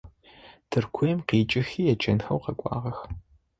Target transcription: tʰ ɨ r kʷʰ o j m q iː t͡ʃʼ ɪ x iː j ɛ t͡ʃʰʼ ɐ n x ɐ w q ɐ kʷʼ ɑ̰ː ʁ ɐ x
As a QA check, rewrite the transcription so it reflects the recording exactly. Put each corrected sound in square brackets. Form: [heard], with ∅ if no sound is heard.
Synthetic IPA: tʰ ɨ r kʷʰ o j m q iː t͡ʃʼ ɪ x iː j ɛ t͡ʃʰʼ ɐ n x ɐ w q ɐ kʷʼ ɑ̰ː ʁ ɐ x